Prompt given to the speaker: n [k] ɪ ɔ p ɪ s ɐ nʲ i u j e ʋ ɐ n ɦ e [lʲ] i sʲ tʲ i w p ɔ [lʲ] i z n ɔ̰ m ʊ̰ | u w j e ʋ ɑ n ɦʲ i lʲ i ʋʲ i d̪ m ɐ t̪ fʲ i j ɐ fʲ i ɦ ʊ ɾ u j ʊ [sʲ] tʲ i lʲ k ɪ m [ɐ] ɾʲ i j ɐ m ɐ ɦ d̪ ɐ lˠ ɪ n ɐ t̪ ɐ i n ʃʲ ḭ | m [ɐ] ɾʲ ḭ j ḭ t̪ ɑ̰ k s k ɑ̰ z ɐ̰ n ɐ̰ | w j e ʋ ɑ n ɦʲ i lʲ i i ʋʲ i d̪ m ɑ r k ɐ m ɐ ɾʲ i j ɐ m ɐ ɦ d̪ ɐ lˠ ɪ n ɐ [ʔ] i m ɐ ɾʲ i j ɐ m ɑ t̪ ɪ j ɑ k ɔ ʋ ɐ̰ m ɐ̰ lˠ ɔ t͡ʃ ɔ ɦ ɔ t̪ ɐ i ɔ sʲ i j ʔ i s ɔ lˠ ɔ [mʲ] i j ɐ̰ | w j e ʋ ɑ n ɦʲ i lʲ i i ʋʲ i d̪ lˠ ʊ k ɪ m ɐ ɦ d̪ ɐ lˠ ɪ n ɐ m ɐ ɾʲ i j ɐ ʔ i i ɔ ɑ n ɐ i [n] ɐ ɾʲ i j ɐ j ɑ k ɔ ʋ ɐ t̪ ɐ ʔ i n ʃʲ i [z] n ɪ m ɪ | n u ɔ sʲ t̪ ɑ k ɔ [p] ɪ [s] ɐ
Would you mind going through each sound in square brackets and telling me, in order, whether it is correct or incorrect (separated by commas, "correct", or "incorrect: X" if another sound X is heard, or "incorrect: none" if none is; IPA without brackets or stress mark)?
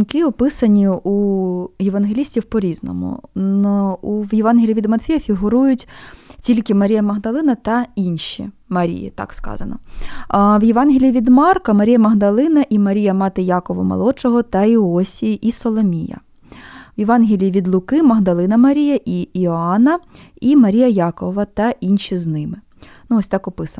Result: correct, correct, incorrect: ɾʲ, incorrect: tʲ, correct, correct, correct, correct, incorrect: m, correct, correct, correct